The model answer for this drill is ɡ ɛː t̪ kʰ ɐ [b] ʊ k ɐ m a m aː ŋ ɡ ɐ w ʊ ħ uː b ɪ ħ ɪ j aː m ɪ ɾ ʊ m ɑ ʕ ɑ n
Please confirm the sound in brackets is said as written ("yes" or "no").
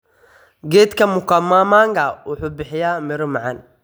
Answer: no